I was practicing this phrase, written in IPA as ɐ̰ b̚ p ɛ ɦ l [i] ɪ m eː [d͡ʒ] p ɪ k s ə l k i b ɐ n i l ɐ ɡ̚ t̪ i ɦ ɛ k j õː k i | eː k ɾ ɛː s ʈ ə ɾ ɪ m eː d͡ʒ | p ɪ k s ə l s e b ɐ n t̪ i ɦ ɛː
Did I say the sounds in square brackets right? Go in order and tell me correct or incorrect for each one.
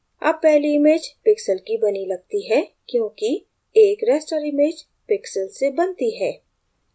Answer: correct, correct

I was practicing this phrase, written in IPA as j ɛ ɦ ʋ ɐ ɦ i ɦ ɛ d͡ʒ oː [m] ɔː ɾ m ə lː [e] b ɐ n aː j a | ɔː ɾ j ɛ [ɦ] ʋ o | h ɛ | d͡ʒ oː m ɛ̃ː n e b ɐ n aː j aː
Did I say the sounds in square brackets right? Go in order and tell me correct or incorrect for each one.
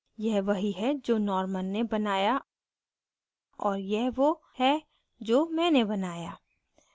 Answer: incorrect, correct, correct

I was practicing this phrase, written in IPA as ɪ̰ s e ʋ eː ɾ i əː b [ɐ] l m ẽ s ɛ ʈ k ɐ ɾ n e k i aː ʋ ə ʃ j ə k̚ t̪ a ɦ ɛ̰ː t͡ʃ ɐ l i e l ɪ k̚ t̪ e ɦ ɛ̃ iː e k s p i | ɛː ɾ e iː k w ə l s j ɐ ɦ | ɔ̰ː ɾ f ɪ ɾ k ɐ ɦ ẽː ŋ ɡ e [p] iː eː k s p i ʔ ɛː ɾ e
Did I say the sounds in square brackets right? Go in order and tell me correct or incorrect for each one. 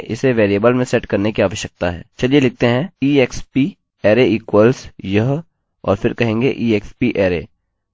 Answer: incorrect, incorrect

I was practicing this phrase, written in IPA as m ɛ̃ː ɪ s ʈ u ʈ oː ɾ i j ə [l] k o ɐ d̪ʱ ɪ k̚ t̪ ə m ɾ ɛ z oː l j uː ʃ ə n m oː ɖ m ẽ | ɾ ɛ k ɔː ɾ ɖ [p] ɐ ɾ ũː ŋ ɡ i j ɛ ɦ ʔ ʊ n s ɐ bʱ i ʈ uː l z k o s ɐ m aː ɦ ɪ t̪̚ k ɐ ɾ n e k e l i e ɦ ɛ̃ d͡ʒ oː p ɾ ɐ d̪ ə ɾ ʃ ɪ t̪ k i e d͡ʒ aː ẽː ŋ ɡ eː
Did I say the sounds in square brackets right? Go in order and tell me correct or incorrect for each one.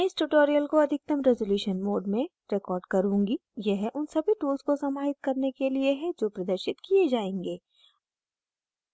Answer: correct, incorrect

